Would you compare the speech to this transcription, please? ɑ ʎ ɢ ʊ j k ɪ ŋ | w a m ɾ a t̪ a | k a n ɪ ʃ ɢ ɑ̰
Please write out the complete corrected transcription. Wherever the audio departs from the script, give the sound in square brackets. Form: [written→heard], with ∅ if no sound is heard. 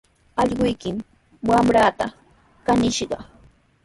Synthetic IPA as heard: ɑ ʎ ɢ ʊ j k ɪ [ŋ→m] | w a m ɾ a t̪ a | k a n ɪ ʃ ɢ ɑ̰

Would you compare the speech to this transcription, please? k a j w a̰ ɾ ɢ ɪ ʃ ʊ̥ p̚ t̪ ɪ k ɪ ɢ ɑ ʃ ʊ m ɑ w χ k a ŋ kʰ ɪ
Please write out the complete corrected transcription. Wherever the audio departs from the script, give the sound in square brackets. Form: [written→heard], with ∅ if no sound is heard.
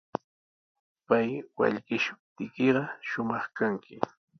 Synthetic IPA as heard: [k→p] a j w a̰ [ɾ→ʎ] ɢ ɪ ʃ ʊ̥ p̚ t̪ ɪ k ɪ ɢ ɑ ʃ ʊ m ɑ [w→∅] χ k a ŋ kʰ ɪ

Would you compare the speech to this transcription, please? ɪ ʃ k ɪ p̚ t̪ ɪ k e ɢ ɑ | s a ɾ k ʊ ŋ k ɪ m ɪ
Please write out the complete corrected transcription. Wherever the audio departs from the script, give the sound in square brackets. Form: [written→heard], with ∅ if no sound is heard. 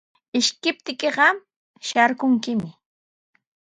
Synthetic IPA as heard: ɪ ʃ k ɪ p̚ t̪ ɪ k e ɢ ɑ | [s→ʃ] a ɾ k ʊ ŋ k ɪ m ɪ

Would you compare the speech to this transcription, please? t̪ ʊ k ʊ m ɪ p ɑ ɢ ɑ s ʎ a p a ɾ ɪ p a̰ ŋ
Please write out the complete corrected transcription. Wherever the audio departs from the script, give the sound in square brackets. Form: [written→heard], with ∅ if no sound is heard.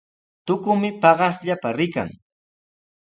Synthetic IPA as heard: t̪ ʊ k ʊ m ɪ p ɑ ɢ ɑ s ʎ a p a ɾ ɪ [p→k] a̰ ŋ

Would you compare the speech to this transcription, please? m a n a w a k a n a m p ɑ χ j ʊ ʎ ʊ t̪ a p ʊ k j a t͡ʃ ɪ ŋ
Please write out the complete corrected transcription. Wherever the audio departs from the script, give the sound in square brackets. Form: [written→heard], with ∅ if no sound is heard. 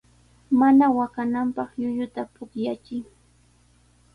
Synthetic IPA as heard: m a n a w a k a n a m p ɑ χ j ʊ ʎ ʊ t̪ a p ʊ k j a t͡ʃ ɪ ŋ

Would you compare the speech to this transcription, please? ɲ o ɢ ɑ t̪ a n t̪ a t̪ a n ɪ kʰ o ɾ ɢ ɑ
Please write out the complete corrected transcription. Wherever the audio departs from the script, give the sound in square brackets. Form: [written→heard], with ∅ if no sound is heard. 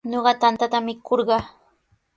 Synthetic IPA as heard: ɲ o ɢ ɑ t̪ a n t̪ a t̪ a [n→m] ɪ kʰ o ɾ ɢ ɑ

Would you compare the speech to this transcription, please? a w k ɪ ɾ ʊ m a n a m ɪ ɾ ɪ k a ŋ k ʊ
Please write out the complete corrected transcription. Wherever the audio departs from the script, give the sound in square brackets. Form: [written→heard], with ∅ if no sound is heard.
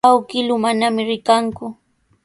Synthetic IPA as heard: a w k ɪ [ɾ→l] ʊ m a n a m ɪ ɾ ɪ k a ŋ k ʊ

